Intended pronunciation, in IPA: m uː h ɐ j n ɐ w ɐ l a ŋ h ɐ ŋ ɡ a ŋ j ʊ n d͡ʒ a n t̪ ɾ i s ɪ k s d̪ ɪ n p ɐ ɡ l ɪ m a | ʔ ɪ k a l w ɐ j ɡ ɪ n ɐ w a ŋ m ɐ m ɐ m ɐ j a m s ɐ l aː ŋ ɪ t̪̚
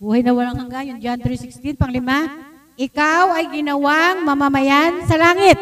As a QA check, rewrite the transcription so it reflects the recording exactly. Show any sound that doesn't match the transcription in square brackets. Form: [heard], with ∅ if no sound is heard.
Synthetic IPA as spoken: [b] uː h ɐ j n ɐ w ɐ l a ŋ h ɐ ŋ ɡ a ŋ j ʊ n d͡ʒ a n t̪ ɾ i s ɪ k s [t̪] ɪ n p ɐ [ŋ] l ɪ m a | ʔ ɪ k a [∅] w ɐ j ɡ ɪ n ɐ w a ŋ m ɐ m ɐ m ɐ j a [n] s ɐ l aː ŋ ɪ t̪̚